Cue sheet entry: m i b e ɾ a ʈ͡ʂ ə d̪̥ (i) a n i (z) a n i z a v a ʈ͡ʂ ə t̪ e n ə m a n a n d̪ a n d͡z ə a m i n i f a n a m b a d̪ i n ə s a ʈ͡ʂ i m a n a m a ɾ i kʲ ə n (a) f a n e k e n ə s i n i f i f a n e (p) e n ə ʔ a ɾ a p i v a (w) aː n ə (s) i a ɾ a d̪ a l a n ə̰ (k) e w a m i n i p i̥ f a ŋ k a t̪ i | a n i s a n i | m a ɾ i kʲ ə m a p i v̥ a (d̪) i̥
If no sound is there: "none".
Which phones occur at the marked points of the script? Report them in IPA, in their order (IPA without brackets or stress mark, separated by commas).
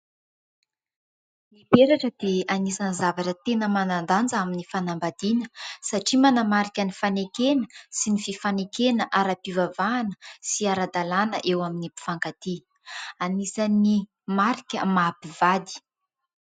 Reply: e, s, i, k, v, s, ʔ, d̪